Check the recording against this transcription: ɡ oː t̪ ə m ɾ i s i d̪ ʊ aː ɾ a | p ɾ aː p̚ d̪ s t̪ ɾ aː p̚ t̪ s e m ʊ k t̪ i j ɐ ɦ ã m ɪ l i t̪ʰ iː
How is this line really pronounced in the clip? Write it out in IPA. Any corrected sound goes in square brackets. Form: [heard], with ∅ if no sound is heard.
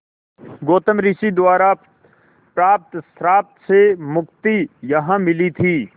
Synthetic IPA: ɡ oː t̪ ə m ɾ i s i d̪ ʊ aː ɾ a | p ɾ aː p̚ [t̪] s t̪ ɾ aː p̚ t̪ s e m ʊ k t̪ i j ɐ ɦ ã m ɪ l i t̪ʰ iː